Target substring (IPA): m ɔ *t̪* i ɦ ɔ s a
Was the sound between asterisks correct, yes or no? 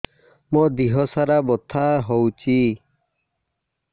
no